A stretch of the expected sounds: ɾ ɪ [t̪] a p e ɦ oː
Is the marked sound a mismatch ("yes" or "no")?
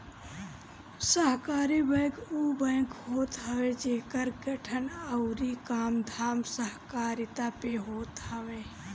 no